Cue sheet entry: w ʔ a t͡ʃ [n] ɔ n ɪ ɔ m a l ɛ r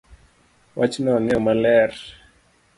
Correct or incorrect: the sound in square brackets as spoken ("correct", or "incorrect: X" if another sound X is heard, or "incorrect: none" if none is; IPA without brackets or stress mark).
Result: correct